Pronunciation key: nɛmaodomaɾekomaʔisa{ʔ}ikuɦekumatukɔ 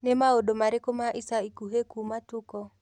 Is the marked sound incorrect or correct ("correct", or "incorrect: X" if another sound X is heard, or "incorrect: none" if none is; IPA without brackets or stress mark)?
incorrect: none